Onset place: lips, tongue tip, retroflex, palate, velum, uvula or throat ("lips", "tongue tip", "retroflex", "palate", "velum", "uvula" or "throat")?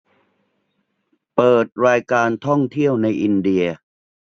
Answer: lips